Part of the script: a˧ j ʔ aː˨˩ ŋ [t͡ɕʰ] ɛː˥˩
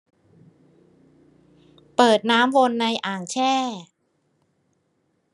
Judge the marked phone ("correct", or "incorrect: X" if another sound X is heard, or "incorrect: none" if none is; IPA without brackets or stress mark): correct